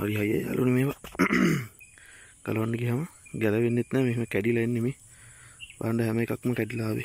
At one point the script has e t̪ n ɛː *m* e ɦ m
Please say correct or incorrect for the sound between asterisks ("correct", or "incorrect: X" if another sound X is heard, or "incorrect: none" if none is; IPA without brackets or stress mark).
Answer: correct